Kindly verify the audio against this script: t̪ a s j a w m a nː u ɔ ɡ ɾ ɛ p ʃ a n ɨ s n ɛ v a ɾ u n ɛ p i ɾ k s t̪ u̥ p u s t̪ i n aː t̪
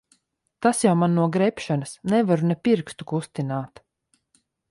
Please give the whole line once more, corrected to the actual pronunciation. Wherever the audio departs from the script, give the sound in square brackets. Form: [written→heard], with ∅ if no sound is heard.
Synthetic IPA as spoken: t̪ a s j a w m a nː u ɔ ɡ ɾ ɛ p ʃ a n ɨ s n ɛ v a ɾ u n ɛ p i ɾ k s t̪ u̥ [p→k] u s t̪ i n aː t̪